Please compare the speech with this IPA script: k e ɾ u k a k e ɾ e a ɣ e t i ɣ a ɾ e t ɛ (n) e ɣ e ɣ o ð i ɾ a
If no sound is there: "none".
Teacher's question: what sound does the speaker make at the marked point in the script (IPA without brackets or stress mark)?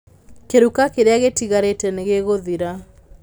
n